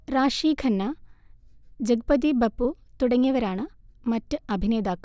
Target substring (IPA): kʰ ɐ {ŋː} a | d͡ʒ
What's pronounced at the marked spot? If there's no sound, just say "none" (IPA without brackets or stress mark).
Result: nː